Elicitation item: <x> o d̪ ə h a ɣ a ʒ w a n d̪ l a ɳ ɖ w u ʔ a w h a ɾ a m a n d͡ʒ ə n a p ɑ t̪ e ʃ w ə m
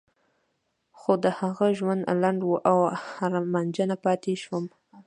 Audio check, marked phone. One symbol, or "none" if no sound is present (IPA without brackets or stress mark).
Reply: x